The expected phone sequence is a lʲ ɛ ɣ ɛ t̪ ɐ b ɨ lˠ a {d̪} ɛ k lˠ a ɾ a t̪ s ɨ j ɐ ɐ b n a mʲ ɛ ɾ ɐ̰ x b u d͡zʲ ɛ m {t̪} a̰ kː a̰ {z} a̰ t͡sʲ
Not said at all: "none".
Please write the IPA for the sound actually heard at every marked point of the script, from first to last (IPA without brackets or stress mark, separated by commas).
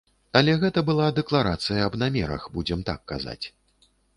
d̪, t̪, z